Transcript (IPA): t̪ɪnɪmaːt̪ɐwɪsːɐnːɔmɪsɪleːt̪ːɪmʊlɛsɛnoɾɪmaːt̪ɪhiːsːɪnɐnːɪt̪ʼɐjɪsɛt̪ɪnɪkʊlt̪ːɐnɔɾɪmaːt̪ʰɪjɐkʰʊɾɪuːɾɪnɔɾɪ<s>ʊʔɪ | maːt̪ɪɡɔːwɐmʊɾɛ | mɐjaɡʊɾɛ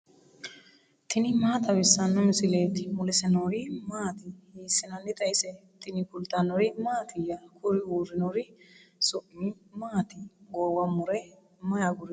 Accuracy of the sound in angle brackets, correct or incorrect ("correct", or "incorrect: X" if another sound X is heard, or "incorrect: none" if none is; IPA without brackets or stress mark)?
correct